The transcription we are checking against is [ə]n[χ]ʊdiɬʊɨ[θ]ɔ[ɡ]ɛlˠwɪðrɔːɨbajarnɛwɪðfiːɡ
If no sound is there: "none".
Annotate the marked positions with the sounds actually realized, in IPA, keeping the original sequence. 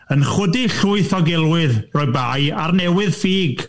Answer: ə, χ, θ, ɡ

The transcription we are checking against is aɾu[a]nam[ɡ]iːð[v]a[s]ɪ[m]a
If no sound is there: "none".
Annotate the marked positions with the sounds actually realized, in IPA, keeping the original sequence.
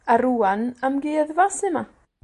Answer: a, ɡ, v, s, m

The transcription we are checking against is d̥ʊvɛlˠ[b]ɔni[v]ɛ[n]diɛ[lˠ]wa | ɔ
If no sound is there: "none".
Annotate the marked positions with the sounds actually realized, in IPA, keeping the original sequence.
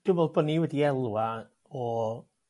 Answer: b, w, none, lˠ

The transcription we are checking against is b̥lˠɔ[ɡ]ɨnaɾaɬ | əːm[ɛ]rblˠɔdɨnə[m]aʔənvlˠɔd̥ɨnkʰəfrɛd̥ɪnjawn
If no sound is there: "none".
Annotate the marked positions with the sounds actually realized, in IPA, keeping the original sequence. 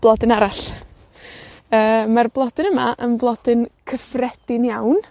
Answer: d, a, m

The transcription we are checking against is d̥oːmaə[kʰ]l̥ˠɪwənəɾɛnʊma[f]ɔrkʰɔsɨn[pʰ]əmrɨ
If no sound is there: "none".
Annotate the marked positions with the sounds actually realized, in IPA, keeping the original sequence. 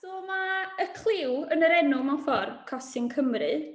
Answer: kʰ, f, kʰ

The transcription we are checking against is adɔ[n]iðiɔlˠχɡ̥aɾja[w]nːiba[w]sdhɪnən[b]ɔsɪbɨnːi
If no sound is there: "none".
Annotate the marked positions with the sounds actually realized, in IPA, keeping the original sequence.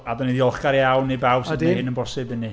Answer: n, w, w, b

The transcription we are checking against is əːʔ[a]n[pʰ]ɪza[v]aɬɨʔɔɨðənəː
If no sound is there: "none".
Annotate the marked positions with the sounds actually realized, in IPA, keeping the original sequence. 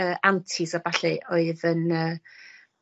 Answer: a, tʰ, b

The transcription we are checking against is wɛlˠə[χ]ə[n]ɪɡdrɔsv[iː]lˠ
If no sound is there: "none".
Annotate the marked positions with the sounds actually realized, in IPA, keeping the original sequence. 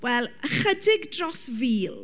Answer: χ, d, iː

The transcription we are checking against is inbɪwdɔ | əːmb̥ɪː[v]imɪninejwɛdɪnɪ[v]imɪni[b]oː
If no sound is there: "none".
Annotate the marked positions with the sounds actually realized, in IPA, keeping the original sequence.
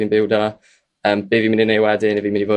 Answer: v, v, v

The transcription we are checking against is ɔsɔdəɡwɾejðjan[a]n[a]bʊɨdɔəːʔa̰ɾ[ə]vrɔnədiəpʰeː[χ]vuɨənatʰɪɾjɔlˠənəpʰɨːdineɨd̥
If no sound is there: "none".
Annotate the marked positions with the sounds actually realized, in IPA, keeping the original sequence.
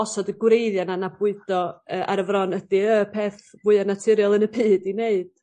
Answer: a, a, ə, θ

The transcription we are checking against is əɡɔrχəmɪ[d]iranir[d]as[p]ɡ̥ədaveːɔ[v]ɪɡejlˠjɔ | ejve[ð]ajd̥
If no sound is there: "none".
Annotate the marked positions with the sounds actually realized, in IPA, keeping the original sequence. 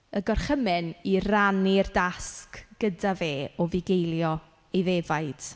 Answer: n, d, k, v, v

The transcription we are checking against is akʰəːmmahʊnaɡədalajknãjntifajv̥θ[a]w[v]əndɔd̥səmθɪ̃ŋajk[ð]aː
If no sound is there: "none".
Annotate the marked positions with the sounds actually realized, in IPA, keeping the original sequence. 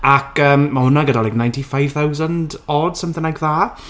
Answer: a, z, ð

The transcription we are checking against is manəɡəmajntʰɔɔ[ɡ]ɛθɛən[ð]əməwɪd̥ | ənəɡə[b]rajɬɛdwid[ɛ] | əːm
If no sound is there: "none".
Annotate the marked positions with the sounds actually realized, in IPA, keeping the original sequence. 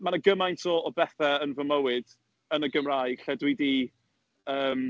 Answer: b, v, m, i

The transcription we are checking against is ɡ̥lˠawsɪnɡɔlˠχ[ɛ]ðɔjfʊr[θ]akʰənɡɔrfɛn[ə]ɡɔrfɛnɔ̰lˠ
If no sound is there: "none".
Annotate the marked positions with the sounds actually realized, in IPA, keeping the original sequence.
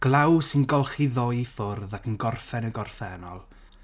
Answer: i, ð, ə

